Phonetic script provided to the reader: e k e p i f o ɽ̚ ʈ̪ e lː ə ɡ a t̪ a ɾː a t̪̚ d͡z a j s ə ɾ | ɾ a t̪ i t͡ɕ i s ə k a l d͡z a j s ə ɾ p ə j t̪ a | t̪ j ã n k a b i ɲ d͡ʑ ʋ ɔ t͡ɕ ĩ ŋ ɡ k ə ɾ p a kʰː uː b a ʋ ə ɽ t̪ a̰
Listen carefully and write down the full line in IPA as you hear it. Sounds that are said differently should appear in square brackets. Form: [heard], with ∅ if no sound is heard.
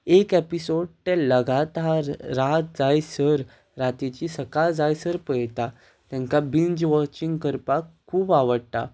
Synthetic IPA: e k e p i [s] o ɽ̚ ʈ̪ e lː ə ɡ a t̪ a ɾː a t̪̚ d͡z a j s ə ɾ | ɾ a t̪ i t͡ɕ i s ə k a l d͡z a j s ə ɾ p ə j t̪ a | t̪ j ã [ŋ] k a b i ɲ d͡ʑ ʋ ɔ t͡ɕ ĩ ŋ ɡ k ə ɾ p a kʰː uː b a ʋ ə ɽ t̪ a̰